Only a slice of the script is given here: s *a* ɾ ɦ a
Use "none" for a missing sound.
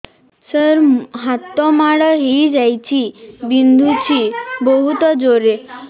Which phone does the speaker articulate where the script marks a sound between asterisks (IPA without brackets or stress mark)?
ə